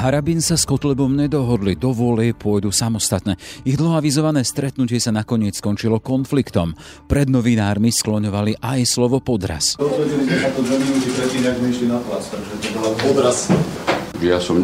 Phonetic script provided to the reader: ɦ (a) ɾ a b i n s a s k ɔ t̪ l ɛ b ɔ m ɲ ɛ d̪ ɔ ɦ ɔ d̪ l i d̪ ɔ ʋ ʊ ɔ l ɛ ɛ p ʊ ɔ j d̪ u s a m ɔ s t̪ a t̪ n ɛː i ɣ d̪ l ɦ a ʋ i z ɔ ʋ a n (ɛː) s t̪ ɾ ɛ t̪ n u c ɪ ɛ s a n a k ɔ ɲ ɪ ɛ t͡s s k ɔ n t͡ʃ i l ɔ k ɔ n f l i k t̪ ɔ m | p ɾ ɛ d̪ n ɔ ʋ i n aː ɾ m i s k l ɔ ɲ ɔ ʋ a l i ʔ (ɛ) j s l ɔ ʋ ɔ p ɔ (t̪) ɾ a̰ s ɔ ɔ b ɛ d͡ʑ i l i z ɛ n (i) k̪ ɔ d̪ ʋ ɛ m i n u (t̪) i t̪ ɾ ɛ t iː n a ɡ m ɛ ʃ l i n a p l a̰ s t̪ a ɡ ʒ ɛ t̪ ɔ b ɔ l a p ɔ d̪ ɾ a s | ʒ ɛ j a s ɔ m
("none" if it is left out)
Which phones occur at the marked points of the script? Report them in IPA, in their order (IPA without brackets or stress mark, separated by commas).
a, ɛː, a, d̪, a, t̪